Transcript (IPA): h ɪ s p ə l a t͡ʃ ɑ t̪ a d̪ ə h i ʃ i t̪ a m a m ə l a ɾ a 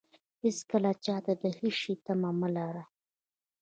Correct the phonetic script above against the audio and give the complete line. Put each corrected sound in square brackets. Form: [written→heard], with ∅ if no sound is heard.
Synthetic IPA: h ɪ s [p→k] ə l a t͡ʃ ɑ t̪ a d̪ ə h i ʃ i t̪ a m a m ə l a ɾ a